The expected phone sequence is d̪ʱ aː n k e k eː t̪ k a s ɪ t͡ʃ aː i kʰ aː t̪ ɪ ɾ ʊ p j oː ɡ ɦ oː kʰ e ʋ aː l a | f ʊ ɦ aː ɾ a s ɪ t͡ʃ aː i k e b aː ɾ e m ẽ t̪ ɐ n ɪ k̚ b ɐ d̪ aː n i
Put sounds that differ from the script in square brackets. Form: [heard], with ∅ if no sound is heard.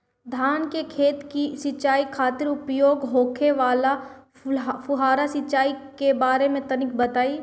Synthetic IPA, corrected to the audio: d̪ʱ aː n k e [kʰ] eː t̪ k [i] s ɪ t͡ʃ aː i kʰ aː t̪ ɪ ɾ ʊ p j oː ɡ ɦ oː kʰ e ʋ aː l a | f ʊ ɦ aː ɾ a s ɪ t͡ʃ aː i k e b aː ɾ e m ẽ t̪ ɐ n ɪ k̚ b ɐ [t̪] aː [∅] i